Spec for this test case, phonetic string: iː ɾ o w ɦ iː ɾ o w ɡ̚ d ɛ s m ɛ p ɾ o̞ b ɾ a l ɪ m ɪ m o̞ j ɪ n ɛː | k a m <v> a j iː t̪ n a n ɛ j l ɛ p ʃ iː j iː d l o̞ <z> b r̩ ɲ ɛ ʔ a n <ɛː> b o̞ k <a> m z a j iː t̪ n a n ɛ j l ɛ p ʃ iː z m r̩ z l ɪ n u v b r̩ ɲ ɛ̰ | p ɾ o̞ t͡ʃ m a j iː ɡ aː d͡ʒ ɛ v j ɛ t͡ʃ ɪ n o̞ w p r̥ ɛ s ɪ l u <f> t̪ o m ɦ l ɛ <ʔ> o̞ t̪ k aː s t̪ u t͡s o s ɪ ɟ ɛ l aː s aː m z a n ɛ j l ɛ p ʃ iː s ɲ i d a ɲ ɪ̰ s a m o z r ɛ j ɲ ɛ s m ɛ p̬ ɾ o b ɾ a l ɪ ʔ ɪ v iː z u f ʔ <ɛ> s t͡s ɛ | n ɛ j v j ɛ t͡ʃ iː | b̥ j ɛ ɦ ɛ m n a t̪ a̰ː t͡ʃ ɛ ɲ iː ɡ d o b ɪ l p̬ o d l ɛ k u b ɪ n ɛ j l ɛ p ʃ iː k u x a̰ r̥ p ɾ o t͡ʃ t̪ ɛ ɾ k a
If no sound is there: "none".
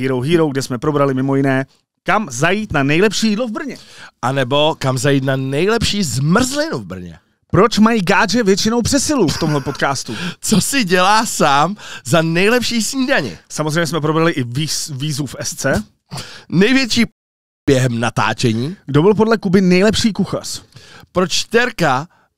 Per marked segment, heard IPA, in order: z, v, ɛ, a, f, p, ɛ

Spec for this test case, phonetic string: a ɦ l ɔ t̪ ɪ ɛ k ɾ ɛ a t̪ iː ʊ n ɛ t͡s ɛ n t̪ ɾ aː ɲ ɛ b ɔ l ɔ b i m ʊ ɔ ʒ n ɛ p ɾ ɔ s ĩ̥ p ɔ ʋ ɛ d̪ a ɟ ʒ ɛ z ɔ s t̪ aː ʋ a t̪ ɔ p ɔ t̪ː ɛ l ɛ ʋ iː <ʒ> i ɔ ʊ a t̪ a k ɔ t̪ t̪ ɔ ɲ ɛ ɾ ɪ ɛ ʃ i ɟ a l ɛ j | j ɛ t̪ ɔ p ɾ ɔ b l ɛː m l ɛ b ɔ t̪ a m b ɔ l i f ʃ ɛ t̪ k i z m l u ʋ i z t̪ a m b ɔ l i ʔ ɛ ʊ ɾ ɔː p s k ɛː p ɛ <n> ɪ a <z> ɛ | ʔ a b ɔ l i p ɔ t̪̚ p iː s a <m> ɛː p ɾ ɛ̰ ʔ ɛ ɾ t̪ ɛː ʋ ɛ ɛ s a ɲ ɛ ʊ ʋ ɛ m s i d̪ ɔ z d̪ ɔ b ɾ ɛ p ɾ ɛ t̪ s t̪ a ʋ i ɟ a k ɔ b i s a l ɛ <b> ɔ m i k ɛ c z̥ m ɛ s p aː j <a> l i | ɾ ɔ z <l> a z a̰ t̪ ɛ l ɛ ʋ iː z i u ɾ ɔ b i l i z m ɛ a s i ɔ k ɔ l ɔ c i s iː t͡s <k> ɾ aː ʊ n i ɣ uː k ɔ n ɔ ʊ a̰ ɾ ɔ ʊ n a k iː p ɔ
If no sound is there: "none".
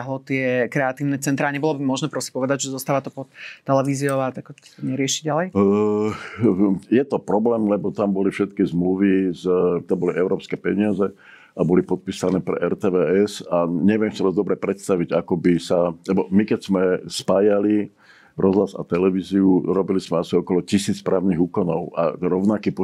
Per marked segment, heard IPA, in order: z, ɲ, z, n, b, a, l, p

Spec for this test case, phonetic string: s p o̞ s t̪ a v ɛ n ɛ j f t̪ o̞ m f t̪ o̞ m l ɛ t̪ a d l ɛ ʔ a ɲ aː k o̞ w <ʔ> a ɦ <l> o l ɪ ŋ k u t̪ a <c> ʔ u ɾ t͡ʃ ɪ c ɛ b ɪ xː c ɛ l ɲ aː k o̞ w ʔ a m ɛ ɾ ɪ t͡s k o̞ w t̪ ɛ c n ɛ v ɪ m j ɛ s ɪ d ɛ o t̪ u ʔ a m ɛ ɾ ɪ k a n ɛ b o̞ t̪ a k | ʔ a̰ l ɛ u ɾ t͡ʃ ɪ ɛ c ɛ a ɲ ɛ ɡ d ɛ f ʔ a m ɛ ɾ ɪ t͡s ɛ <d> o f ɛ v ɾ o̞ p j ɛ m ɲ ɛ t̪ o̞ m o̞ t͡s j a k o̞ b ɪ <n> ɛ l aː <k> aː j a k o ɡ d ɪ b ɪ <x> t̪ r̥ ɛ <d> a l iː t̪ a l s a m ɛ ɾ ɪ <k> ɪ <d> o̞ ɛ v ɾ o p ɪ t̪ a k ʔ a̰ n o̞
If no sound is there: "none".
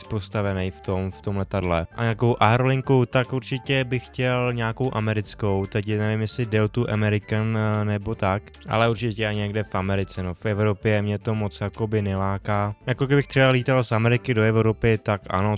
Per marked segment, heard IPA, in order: ʔ, ɾ, k, n, n, k, x, b, k, d

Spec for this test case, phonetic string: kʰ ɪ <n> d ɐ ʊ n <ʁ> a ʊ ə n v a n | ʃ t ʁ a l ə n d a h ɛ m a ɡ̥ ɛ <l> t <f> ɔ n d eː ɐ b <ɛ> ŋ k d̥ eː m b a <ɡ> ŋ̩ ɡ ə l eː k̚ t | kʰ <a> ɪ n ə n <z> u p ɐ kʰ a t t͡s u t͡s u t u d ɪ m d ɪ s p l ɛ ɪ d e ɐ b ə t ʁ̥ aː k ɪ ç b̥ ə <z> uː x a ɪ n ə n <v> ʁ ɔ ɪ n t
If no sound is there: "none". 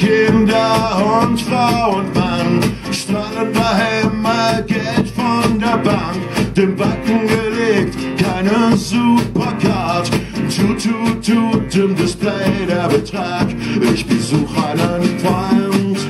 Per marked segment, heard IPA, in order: n, ʁ, l, f, a, k, a, z, z, f

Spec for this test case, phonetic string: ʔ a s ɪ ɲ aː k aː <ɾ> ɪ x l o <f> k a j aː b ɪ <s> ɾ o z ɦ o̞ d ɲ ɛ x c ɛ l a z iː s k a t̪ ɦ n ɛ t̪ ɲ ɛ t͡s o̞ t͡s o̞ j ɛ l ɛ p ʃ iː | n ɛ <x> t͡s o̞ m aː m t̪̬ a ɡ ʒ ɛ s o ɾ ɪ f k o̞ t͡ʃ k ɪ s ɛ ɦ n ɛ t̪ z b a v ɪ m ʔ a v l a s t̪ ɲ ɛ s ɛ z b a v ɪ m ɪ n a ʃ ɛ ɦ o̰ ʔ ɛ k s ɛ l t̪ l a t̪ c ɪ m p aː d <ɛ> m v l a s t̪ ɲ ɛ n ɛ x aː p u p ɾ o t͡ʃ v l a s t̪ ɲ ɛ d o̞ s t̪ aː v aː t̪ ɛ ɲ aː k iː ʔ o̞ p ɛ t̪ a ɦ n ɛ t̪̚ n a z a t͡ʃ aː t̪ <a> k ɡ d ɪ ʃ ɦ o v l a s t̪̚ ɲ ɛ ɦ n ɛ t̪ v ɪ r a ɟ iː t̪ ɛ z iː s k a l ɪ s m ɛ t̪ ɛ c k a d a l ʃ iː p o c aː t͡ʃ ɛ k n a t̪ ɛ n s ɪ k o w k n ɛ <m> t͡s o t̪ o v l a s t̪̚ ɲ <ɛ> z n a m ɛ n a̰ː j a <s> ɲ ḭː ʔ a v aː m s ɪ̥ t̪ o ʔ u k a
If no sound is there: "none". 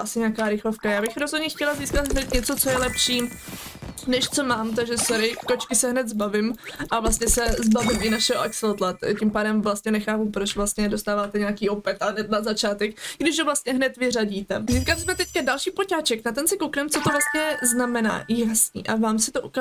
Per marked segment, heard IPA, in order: ɾ, f, x, ʃ, ɛ, ɛ, m, ɛ, s

